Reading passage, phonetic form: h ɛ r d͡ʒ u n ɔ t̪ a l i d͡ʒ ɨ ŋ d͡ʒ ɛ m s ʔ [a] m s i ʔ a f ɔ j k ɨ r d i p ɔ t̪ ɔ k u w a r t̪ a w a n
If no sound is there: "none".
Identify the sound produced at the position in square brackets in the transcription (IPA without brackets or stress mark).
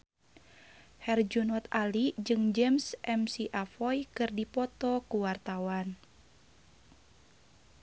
ɛ